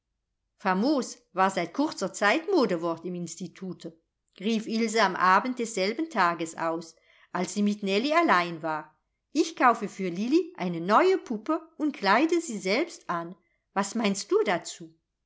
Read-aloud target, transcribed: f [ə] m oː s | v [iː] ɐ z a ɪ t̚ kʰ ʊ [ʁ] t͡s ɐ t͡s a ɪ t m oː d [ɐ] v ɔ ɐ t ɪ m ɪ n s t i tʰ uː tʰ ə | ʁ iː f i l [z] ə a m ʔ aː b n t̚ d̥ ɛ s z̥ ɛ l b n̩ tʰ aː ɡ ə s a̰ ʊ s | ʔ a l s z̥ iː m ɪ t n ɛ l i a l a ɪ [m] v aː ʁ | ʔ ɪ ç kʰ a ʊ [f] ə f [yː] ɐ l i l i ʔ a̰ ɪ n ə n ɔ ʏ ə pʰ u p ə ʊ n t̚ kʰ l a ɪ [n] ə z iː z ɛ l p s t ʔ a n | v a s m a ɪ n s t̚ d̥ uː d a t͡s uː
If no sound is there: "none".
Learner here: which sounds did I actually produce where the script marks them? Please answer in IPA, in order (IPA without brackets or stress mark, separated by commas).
a, aː, ʁ, ə, z, n, f, yː, d